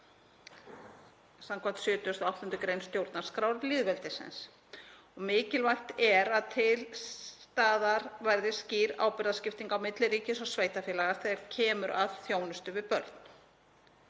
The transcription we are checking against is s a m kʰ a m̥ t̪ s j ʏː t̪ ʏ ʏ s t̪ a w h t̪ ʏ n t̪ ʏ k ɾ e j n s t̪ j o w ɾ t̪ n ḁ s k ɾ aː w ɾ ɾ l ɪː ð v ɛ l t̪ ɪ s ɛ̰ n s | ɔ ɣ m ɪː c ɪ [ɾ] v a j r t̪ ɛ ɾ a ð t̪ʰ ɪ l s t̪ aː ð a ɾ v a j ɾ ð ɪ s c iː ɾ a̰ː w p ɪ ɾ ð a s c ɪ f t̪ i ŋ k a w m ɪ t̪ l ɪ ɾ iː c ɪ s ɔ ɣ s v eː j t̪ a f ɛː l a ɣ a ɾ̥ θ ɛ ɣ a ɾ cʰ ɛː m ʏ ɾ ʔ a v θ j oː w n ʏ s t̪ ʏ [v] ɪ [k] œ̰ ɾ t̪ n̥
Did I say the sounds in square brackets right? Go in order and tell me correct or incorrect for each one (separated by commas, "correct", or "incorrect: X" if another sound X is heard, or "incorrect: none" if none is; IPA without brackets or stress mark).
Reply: incorrect: l, correct, incorrect: p